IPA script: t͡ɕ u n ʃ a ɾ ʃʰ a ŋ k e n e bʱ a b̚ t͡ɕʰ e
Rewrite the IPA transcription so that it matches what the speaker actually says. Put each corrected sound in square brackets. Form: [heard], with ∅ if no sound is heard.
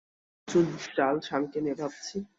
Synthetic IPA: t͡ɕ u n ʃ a [l] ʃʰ a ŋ k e n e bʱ a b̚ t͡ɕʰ [i]